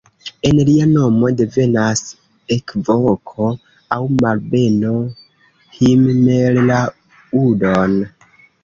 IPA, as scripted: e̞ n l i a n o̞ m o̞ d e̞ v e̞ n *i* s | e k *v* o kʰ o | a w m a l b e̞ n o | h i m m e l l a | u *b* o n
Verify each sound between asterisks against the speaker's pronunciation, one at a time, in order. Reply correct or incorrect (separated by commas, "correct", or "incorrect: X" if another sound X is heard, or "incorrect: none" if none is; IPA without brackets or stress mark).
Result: incorrect: a, correct, incorrect: d